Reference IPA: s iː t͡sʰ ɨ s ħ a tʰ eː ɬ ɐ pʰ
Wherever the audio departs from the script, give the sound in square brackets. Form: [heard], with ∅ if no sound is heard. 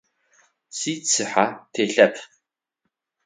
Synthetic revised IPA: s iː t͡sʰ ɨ [∅] ħ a tʰ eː ɬ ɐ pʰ